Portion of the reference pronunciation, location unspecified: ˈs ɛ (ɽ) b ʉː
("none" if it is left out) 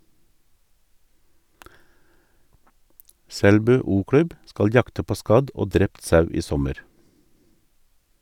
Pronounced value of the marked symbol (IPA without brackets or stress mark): l